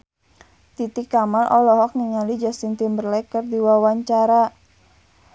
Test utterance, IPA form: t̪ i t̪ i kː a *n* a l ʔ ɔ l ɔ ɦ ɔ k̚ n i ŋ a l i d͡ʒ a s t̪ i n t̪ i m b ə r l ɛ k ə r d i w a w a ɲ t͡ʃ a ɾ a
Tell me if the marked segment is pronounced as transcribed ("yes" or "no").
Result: no